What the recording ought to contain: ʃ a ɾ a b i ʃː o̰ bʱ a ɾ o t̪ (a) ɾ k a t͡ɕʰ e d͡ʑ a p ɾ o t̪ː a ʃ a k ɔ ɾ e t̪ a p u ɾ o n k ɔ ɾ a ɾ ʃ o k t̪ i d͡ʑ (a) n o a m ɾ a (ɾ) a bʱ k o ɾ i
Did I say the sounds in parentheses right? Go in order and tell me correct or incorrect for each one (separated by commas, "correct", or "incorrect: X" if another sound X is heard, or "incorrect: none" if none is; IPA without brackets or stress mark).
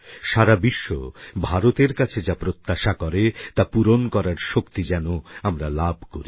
incorrect: e, incorrect: ɛ, incorrect: l